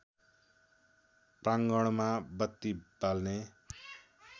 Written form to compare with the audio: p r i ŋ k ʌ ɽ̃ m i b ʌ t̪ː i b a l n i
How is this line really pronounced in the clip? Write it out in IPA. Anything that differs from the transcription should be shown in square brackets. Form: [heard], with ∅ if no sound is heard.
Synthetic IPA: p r [a] ŋ [ɡ] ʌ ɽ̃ m [a] b ʌ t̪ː i b a l n [e]